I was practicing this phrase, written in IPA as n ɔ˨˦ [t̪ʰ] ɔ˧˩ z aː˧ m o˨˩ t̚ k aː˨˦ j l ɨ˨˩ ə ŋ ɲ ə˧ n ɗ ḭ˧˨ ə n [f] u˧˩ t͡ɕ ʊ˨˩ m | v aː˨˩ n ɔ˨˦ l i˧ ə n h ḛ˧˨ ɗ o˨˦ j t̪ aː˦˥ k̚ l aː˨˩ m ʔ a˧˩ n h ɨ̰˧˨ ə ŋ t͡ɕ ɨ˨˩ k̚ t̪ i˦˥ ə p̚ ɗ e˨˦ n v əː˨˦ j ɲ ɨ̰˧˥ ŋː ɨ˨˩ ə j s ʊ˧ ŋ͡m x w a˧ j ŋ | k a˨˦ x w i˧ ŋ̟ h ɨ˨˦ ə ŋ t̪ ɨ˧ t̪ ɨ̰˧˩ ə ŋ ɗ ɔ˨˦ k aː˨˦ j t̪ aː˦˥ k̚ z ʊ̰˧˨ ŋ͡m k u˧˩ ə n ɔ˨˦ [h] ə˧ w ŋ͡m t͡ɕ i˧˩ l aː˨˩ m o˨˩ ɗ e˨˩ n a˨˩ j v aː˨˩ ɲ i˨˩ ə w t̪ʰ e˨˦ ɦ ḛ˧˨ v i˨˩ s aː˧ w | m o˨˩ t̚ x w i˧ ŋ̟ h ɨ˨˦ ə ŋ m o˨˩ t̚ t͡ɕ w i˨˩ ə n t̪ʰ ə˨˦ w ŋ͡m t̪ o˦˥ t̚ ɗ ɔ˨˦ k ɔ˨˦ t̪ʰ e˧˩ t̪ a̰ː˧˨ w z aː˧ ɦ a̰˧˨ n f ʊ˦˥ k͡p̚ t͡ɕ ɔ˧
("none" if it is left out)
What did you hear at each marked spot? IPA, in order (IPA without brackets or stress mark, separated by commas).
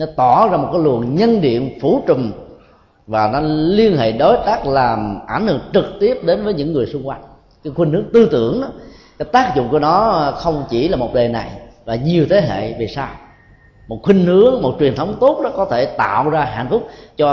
t̪, f, x